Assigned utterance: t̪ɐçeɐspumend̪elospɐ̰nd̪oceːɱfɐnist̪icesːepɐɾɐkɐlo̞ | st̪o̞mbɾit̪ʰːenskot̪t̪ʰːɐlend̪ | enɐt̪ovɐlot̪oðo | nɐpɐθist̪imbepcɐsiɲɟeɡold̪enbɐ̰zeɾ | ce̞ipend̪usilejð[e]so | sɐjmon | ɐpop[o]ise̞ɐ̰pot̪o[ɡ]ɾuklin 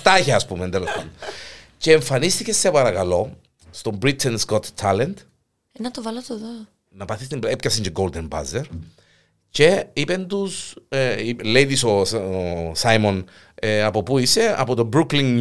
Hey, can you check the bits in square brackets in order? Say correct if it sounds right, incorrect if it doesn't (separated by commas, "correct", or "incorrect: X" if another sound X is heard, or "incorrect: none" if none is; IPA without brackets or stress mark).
incorrect: i, incorrect: u, incorrect: b